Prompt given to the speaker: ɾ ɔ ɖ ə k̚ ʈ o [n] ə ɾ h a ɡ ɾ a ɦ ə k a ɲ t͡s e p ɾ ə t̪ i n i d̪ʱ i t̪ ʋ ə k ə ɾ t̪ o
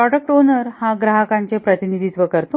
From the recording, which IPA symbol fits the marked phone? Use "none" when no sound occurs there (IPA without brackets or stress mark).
n